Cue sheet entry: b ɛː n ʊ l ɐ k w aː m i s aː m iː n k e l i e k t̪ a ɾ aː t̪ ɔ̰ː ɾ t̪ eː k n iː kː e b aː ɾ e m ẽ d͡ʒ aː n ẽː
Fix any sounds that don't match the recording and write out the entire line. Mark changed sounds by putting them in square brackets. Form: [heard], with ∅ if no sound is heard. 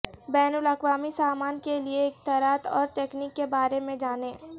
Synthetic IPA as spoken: b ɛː n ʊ l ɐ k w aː m i s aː m [aː] n k e l i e k t̪ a ɾ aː t̪ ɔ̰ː ɾ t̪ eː k n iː kː e b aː ɾ e m ẽ d͡ʒ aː n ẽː